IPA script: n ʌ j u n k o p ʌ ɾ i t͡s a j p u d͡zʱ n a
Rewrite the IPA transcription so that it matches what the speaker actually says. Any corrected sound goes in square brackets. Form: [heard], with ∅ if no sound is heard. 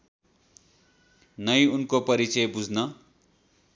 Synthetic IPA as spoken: n ʌ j u n k o p ʌ ɾ i t͡s [ʌ] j [b] u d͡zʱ n [ʌ]